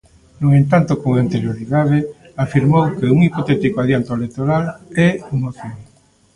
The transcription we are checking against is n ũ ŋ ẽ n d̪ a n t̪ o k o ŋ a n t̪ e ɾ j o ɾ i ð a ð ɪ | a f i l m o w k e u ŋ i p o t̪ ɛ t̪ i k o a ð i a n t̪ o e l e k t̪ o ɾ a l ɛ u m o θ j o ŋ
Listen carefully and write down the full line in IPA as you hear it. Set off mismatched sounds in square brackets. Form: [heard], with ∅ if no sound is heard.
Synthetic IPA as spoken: n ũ ŋ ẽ n [t̪] a n t̪ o k o ŋ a n t̪ e ɾ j o ɾ i ð a ð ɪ | a f i [ɾ] m o w k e u ŋ i p o t̪ ɛ t̪ i k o a ð [j] a n t̪ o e l e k t̪ o ɾ a l ɛ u m o θ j o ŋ